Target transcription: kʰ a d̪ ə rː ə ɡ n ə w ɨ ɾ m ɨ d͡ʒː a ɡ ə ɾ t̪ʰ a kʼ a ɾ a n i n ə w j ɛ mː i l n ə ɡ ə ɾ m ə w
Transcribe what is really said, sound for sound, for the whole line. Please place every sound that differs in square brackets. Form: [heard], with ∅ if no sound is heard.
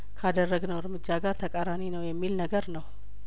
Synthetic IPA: kʰ a d̪ ə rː ə ɡ n ə w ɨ ɾ m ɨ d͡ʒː a ɡ [a] ɾ t̪ʰ [ə] kʼ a ɾ a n i n ə w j ɛ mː i l n ə ɡ ə ɾ [n] ə w